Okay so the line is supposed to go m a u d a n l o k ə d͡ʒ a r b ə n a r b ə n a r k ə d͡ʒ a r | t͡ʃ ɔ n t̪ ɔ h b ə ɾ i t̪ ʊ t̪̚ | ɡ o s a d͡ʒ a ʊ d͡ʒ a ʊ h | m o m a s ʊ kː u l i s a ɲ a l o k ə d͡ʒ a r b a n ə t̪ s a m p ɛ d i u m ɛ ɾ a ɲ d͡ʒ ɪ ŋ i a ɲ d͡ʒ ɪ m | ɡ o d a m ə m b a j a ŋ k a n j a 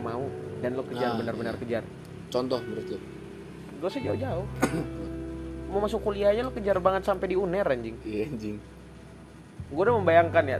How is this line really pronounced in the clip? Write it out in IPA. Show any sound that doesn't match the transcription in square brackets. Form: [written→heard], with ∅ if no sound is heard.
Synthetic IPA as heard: m a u d a n l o k ə d͡ʒ a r b ə n a r b ə n a r k ə d͡ʒ a r | t͡ʃ ɔ n t̪ ɔ h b ə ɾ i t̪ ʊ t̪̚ | ɡ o s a d͡ʒ a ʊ d͡ʒ a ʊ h | m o m a s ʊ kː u l i [s→∅] a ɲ a l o k ə d͡ʒ a r b a [n→ŋ] ə t̪ s a m p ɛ d i u [m→n] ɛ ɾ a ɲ d͡ʒ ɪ ŋ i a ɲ d͡ʒ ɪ [m→ŋ] | ɡ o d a m ə m b a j a ŋ k a n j a